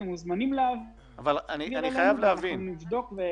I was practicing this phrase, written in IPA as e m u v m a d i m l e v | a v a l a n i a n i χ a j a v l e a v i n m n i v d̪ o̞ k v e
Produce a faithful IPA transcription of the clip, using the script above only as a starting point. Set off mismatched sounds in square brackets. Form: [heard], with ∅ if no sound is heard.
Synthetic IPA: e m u [z] m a [n] i m l [a] v | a v a l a n i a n i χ a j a v l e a v i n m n i v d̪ o̞ k v e